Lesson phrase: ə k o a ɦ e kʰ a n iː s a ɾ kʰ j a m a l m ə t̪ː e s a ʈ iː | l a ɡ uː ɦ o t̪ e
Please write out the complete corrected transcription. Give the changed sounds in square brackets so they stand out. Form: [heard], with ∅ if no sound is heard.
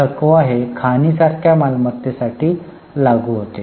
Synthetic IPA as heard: ə k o a ɦ e kʰ a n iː s a ɾ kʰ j a m a l m ə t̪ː e s a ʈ iː | l a ɡ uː ɦ o t̪ e